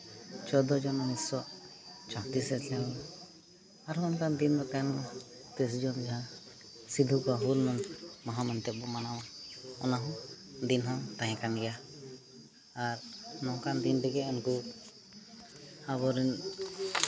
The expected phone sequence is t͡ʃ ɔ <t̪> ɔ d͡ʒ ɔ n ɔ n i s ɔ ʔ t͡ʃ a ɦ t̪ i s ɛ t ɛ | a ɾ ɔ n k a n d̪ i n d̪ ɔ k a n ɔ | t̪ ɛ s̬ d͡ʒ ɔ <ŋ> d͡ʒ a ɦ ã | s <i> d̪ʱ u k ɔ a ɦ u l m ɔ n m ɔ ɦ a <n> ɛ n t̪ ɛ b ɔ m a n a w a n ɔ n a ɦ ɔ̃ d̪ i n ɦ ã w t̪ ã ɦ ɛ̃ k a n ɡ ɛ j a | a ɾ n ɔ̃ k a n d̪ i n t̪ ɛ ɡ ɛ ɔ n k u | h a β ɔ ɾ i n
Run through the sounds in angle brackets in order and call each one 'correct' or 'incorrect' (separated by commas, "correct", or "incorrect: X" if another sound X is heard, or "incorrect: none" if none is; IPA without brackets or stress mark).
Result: incorrect: d̪, incorrect: n, correct, incorrect: m